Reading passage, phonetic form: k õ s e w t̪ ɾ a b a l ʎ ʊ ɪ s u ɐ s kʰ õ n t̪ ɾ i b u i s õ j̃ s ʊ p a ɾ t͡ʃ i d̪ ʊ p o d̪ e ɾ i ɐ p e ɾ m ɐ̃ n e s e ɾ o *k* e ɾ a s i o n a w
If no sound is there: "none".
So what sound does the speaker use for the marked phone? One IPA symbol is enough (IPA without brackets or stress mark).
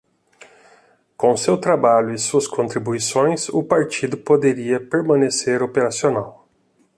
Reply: p